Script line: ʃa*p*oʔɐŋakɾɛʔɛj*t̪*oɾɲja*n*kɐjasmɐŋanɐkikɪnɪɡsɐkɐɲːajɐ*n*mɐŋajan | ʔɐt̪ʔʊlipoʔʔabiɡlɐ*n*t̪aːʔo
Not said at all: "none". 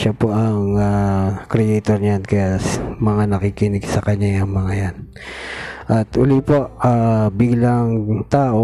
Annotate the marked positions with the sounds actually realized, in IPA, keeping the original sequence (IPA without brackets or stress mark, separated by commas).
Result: p, t̪, n, ŋ, ŋ